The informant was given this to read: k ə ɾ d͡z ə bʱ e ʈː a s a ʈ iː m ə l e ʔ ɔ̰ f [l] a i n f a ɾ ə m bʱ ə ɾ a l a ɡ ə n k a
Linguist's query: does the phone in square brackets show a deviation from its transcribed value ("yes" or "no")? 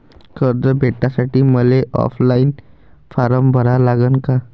no